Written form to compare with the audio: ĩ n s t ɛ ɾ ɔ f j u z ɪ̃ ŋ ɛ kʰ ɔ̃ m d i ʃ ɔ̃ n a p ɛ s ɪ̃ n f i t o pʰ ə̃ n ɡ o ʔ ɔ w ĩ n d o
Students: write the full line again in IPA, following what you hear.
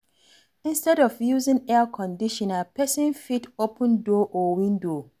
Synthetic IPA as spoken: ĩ n s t ɛ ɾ ɔ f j u z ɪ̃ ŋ ɛ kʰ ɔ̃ n d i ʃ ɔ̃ n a p ɛ s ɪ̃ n f i t o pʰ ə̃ n d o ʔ ɔ w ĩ n d o